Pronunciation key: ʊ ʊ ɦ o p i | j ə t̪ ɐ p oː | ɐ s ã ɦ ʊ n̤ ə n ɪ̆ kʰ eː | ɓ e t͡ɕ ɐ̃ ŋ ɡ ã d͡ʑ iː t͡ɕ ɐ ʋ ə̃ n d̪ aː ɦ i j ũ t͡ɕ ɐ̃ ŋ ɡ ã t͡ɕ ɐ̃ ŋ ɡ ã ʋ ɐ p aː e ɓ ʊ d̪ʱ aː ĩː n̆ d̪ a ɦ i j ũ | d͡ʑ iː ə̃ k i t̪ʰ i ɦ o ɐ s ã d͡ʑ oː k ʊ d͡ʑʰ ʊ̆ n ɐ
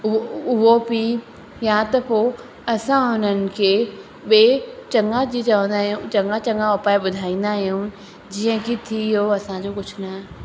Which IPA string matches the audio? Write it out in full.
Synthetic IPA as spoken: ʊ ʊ ɦ o p i | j a t̪ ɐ p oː | ɐ s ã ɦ ʊ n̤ ə n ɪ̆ kʰ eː | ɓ e t͡ɕ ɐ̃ ŋ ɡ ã d͡ʑ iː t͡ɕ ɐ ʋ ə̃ n d̪ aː ɦ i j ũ t͡ɕ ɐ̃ ŋ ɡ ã t͡ɕ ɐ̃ ŋ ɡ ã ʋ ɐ p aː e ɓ ʊ d̪ʱ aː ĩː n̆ d̪ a ɦ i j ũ | d͡ʑ iː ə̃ k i t̪ʰ i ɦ o ɐ s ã d͡ʑ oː k ʊ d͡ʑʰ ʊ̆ n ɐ